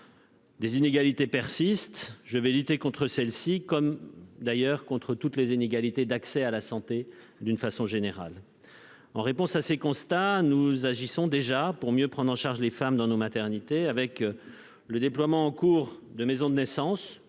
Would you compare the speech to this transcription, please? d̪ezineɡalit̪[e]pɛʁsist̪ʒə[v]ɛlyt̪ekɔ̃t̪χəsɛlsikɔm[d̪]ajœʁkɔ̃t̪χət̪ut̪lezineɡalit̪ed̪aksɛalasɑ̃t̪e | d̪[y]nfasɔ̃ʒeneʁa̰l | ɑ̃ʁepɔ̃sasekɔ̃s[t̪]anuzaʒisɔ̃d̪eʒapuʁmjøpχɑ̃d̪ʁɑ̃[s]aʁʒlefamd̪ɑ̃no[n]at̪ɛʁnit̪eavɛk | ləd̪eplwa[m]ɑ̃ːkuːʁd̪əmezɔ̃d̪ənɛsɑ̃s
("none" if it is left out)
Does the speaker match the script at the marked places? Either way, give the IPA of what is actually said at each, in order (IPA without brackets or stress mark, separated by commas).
e, v, d̪, y, t̪, ʃ, m, m